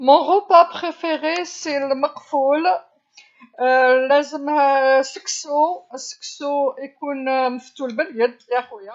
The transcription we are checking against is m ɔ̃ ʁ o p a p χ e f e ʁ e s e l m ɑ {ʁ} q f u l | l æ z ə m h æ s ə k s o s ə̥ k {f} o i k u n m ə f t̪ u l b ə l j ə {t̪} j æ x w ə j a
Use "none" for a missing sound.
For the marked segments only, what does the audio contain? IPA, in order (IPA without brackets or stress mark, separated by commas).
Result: none, s, d̪